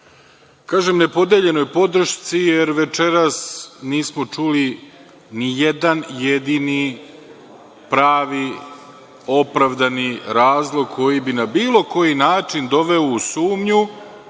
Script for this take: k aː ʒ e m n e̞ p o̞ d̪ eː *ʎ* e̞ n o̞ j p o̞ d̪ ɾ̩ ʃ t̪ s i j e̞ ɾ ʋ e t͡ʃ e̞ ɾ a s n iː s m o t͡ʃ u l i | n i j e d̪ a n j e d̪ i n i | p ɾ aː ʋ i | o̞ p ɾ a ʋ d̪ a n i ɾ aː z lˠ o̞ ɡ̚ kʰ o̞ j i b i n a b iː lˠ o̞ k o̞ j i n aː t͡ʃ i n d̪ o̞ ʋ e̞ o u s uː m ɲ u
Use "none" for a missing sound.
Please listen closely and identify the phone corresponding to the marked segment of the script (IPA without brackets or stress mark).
ʎ